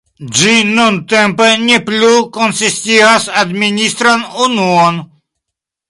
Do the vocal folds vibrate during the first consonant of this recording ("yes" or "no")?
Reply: yes